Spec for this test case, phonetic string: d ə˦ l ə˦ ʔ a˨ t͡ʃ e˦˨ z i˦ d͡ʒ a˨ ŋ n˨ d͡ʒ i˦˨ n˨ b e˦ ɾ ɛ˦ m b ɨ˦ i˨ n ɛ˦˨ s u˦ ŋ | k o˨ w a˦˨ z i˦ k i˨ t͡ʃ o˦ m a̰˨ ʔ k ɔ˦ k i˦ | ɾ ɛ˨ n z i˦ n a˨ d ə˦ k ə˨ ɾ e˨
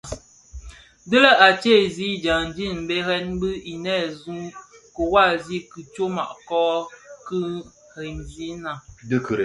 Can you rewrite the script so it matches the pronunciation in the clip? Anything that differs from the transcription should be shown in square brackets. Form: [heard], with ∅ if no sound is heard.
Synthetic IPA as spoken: d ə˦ l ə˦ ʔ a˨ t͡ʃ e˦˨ z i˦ d͡ʒ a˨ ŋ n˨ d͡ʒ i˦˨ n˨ b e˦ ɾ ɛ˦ [n] b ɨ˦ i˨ n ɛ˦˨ [z] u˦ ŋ | k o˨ w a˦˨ z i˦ k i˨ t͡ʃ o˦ m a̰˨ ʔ k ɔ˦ k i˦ | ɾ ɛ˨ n z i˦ n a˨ d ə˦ k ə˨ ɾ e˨